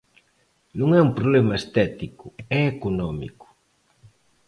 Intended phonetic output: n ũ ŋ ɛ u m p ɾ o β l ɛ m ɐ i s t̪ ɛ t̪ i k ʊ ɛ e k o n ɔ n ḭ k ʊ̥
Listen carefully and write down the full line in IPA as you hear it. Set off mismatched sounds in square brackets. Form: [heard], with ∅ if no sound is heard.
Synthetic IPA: n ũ ŋ ɛ u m p ɾ o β l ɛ m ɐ [e] s t̪ ɛ t̪ i k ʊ ɛ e k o n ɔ [m] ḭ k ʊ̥